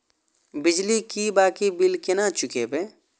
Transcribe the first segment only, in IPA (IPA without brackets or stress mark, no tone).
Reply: b